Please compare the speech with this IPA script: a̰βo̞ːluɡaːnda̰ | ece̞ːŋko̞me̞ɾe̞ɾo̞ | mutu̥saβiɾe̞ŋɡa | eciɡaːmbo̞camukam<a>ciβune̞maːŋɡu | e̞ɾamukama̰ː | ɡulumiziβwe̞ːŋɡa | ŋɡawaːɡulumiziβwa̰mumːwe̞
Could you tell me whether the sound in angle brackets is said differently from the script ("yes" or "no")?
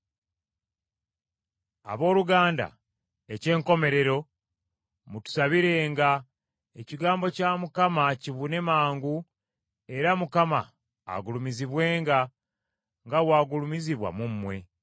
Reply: no